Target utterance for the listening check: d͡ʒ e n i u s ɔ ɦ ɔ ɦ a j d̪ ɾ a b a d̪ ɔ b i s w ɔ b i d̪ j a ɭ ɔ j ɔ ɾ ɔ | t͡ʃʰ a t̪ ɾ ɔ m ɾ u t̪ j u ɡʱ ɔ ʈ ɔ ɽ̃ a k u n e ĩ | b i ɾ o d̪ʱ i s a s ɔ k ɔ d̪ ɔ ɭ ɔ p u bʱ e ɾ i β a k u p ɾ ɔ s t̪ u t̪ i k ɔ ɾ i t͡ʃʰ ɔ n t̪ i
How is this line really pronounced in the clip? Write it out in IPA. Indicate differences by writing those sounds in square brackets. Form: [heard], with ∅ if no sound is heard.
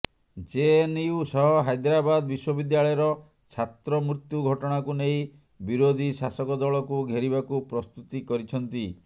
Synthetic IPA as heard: d͡ʒ e n i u s ɔ ɦ ɔ ɦ a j d̪ ɾ a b a d̪ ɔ b i s w ɔ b i d̪ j a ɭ ɔ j ɔ ɾ ɔ | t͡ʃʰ a t̪ ɾ ɔ m ɾ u t̪ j u ɡʱ ɔ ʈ ɔ ɽ̃ a k u n e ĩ | b i ɾ o d̪ʱ i s a s ɔ k ɔ d̪ ɔ ɭ ɔ [k] u [ɡʱ] e ɾ i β a k u p ɾ ɔ s t̪ u t̪ i k ɔ ɾ i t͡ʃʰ ɔ n t̪ i